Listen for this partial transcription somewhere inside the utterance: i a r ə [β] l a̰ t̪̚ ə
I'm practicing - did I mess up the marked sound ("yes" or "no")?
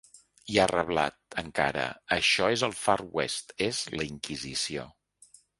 no